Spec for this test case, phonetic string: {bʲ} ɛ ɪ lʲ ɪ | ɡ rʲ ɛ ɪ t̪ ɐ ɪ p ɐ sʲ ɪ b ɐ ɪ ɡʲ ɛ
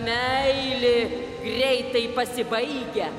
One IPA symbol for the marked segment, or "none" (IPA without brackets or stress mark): mʲ